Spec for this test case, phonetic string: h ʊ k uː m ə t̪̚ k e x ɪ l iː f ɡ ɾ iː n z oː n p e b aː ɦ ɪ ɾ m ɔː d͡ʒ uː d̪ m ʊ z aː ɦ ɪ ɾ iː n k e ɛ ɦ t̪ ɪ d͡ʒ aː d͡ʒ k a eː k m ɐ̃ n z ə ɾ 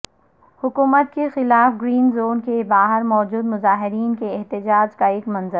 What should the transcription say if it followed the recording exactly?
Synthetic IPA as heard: h ʊ k uː m ə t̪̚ k e x ɪ l aː f ɡ ɾ iː n z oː n k e b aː ɦ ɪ ɾ m ɔː d͡ʒ uː d̪ m ʊ z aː ɦ ɪ ɾ iː n k e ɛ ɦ t̪ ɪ d͡ʒ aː d͡ʒ k a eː k m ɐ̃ n z ə ɾ